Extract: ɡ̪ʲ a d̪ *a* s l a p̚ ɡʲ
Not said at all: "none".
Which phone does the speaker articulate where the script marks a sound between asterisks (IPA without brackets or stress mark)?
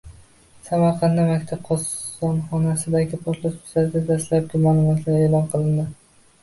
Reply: a